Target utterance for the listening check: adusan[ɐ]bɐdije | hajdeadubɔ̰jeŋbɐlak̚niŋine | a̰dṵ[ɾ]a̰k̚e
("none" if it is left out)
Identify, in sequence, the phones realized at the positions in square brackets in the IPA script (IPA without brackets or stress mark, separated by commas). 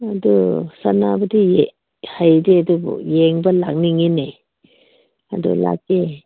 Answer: a, l